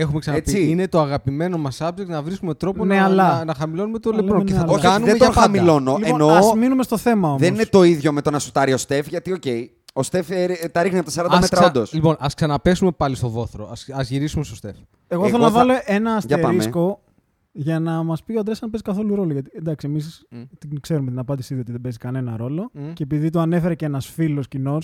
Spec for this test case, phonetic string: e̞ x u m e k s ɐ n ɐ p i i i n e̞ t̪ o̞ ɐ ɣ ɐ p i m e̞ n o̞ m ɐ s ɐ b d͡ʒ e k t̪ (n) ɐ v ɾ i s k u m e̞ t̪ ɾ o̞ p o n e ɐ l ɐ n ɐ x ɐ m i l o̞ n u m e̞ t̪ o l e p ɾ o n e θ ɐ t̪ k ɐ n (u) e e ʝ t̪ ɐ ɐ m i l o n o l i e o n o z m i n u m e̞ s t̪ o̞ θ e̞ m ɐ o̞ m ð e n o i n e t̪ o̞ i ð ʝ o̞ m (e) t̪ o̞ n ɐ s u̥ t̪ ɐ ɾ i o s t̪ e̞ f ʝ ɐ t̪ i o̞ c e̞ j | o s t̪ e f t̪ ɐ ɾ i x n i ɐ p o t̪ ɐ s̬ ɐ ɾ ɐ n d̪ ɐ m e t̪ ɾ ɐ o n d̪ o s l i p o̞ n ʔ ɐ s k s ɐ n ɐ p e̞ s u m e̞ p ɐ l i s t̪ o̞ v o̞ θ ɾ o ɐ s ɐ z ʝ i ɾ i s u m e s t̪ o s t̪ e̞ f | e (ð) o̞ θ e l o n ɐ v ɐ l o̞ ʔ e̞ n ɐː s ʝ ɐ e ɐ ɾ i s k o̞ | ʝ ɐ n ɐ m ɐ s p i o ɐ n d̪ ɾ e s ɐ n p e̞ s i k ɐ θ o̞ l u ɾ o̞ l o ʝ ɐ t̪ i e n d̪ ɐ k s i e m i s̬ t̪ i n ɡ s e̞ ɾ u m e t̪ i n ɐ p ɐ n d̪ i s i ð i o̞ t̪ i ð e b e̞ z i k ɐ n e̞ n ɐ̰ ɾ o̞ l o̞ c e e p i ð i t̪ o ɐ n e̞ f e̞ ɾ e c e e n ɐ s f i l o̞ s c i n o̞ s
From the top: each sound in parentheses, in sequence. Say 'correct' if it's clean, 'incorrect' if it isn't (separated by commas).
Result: correct, correct, correct, incorrect